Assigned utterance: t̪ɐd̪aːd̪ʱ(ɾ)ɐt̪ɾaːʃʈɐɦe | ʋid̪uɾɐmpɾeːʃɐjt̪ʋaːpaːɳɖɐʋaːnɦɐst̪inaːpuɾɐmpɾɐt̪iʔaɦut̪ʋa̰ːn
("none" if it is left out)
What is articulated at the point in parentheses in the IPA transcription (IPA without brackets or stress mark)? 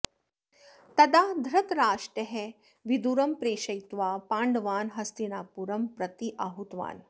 ɾ